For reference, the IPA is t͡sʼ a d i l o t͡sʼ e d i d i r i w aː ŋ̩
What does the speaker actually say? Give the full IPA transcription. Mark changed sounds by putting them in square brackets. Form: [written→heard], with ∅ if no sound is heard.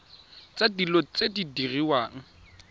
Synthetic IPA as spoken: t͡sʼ a d i l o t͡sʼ e d i d i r i w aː ŋ̩